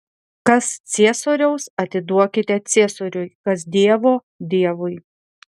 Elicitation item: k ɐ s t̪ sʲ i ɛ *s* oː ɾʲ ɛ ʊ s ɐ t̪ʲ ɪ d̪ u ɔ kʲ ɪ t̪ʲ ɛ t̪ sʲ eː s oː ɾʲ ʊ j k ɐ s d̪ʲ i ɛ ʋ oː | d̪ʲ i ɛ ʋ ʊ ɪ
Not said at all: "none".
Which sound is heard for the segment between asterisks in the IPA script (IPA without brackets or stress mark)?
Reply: s